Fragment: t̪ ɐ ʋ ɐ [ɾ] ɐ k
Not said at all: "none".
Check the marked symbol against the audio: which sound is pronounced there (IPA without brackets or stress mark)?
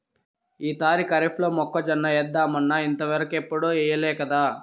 ɾ